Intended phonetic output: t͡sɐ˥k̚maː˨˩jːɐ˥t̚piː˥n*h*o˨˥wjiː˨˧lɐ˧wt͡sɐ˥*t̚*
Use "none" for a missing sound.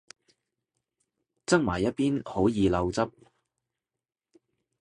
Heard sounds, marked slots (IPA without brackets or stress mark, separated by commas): h, p̚